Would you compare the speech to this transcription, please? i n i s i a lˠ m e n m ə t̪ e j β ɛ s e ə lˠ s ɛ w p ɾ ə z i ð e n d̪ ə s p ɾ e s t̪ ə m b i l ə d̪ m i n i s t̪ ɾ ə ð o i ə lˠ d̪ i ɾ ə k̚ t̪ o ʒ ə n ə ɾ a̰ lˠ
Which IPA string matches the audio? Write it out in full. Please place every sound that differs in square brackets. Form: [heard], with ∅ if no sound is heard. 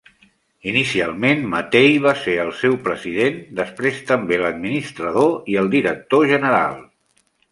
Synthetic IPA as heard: i n i s i a lˠ m e n m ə t̪ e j β [a] s e ə lˠ s ɛ w p ɾ ə z i ð e n d̪ ə s p ɾ e s t̪ ə m b [e] l ə d̪ m i n i s t̪ ɾ ə ð o i ə lˠ d̪ i ɾ ə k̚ t̪ o ʒ ə n ə ɾ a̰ lˠ